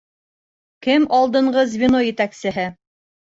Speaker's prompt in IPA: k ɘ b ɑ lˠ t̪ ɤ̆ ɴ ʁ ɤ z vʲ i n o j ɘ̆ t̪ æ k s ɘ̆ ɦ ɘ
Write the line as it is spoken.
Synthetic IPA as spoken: k ɘ m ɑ lˠ d̪ ɤ̆ ɴ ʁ ɤ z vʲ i n o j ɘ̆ t̪ æ k s ɘ̆ ɦ ɘ